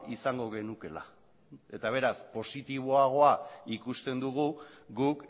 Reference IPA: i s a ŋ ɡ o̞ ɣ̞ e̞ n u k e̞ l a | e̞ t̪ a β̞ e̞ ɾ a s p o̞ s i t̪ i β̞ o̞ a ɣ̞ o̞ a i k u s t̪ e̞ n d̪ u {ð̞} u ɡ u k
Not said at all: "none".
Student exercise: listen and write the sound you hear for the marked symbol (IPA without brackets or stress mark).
ɣ̞